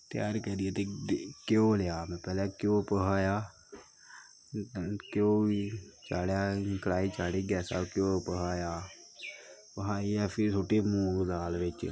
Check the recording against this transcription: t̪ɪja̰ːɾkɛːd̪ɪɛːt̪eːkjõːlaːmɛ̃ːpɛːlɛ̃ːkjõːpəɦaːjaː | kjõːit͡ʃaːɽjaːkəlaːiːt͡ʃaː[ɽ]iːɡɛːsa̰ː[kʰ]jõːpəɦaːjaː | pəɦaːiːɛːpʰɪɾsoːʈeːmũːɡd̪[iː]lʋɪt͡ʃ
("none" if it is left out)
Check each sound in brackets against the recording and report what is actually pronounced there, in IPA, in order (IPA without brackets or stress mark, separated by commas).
ɽ, k, aː